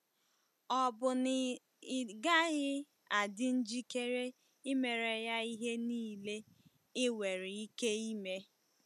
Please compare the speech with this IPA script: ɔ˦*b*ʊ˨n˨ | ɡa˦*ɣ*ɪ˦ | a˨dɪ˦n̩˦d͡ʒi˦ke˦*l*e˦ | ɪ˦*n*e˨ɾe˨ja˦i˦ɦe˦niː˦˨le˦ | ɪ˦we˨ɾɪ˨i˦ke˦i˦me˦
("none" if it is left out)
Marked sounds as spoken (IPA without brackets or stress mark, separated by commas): b, ɣ, ɾ, m